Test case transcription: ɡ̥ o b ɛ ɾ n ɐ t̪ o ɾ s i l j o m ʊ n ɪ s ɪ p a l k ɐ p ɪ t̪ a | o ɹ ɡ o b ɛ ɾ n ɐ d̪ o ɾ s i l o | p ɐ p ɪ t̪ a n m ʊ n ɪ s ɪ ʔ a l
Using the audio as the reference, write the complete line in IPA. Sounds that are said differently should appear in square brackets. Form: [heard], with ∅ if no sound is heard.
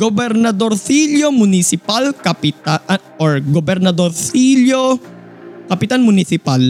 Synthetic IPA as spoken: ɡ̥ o b ɛ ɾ n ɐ [d̪] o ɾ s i l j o m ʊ n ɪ s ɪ p a l k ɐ p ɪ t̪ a | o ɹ ɡ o b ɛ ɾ n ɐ d̪ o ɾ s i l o | [k] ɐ p ɪ t̪ a n m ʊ n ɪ s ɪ [p] a l